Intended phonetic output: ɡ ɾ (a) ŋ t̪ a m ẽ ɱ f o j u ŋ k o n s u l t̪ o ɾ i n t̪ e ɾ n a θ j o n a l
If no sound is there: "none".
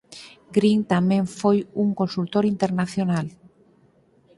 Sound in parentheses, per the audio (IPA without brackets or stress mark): i